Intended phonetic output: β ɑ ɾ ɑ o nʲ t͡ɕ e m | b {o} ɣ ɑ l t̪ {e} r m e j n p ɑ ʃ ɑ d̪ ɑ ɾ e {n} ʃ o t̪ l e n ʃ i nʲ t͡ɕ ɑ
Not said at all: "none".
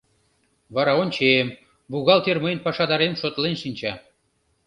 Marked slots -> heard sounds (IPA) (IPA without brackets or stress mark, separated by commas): u, e, m